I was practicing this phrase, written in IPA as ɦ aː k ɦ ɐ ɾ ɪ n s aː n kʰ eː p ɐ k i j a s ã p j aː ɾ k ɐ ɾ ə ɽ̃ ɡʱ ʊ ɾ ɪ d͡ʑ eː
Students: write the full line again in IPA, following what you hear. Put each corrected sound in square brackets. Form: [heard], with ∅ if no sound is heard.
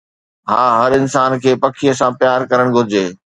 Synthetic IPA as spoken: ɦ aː [∅] ɦ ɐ ɾ ɪ n s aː n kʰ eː p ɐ [kʰ] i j [ə] s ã p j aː ɾ k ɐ ɾ ə ɽ̃ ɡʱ ʊ ɾ ɪ d͡ʑ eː